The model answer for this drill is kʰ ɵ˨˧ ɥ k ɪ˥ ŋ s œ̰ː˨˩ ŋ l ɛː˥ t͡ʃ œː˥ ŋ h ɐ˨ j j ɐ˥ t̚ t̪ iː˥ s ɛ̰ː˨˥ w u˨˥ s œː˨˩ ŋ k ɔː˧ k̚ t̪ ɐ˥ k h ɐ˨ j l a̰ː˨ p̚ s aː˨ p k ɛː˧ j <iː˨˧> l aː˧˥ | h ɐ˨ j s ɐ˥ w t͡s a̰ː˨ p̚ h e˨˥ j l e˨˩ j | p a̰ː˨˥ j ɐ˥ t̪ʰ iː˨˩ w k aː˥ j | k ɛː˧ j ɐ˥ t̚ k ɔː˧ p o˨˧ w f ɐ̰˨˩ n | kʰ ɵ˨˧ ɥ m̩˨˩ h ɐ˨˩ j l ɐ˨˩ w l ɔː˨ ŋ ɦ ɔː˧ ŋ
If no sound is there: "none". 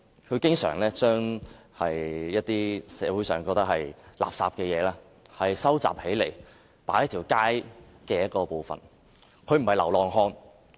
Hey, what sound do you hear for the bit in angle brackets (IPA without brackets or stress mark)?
ɛː˨˧